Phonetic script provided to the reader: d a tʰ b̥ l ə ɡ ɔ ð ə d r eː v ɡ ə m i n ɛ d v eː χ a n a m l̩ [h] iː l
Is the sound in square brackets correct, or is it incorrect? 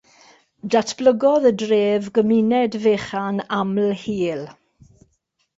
correct